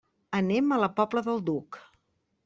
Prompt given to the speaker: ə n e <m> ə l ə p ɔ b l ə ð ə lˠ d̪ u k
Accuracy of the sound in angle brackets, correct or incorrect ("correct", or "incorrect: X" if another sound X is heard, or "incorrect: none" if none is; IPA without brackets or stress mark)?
correct